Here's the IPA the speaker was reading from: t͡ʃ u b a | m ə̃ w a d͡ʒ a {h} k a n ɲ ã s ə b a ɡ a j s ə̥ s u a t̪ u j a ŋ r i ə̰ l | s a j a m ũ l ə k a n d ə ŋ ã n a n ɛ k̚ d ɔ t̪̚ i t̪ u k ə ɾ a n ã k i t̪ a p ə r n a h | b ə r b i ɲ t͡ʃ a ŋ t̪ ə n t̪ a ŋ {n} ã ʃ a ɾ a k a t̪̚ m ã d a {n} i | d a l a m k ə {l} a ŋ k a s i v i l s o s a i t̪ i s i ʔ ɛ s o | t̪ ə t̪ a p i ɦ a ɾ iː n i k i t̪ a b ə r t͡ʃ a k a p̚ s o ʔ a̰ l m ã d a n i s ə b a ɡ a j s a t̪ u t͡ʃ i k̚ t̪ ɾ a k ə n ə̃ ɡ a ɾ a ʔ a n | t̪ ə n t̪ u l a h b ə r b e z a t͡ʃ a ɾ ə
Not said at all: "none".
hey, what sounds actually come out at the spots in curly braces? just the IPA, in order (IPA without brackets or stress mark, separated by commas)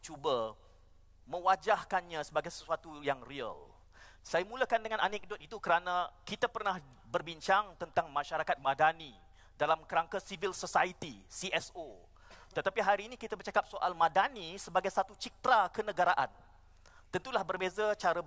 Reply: h, m, n, ɾ